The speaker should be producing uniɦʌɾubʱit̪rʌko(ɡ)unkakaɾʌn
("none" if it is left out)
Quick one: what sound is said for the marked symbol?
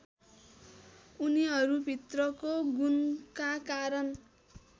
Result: ɡ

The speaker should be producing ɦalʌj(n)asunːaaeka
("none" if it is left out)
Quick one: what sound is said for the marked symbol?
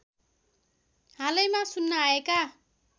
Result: m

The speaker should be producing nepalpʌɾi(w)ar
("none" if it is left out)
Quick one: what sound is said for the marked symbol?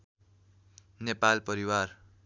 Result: w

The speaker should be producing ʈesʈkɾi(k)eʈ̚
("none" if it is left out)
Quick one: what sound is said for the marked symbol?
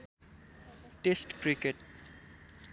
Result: k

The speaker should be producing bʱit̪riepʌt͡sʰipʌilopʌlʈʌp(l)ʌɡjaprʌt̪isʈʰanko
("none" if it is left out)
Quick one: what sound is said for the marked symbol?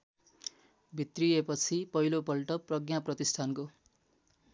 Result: r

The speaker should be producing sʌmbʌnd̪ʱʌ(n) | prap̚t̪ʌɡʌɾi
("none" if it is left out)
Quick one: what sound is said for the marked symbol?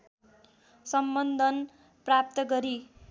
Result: n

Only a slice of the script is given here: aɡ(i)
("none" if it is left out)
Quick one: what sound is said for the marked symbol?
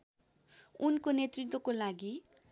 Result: i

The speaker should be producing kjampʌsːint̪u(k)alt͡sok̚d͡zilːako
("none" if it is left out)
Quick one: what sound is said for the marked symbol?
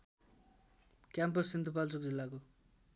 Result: p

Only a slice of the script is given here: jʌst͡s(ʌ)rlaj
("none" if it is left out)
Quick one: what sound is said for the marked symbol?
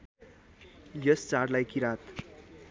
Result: a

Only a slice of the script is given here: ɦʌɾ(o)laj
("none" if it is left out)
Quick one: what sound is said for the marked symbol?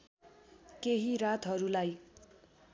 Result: u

